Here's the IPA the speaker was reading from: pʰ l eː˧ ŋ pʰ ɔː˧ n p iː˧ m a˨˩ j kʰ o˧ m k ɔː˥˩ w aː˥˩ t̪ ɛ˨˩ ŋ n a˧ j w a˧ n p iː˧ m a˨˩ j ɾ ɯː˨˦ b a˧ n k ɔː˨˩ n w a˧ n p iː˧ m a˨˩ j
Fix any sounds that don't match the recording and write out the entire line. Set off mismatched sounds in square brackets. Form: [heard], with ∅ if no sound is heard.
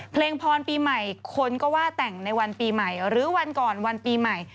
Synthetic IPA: pʰ l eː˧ ŋ pʰ ɔː˧ n p iː˧ m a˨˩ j kʰ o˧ [n] k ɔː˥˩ w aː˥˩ t̪ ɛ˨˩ ŋ n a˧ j w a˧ n p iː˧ m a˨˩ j ɾ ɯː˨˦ [w] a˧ n k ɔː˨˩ n w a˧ n p iː˧ m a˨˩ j